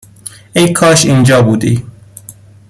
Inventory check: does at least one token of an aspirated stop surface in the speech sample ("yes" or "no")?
yes